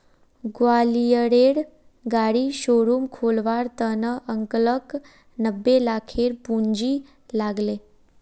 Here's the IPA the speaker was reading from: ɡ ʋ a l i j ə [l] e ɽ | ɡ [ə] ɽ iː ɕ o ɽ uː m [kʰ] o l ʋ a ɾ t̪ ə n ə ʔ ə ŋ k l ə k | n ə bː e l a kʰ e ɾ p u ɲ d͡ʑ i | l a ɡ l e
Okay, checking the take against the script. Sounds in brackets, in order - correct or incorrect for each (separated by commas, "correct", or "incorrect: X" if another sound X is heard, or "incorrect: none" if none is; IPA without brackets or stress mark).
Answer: incorrect: ɽ, incorrect: a, correct